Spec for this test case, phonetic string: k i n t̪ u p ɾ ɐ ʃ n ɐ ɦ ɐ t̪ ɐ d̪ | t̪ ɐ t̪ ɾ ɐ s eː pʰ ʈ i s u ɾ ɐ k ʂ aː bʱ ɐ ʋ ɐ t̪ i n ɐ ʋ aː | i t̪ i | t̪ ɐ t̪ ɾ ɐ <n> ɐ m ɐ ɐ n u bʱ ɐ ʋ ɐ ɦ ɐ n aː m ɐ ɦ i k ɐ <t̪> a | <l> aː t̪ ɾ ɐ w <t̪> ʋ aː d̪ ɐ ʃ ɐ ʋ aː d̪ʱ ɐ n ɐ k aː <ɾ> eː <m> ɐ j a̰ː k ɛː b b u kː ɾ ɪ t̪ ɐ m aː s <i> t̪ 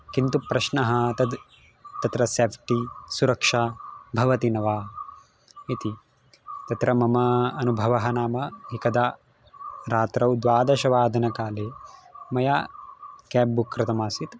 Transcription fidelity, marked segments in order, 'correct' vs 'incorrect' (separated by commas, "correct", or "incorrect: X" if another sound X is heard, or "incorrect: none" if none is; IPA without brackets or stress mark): incorrect: m, incorrect: d̪, incorrect: ɾ, incorrect: d̪, incorrect: l, correct, correct